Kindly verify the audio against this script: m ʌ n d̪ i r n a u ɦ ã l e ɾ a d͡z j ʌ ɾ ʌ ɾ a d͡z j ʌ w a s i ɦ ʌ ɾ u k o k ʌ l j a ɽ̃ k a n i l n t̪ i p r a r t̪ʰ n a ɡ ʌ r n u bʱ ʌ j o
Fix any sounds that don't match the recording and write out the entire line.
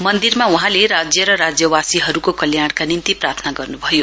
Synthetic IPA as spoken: m ʌ n d̪ i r m a u ɦ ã l e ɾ a d͡z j ʌ ɾ ʌ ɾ a d͡z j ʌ w a s i ɦ ʌ ɾ u k o k ʌ l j a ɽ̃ k a n i n t̪ i p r a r t̪ʰ n a ɡ ʌ r n u bʱ ʌ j o